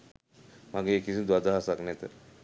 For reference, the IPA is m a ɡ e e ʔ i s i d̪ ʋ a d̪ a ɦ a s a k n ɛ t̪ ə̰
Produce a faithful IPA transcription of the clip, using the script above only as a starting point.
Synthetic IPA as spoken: m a ɡ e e k i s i d̪ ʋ a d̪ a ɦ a s a k n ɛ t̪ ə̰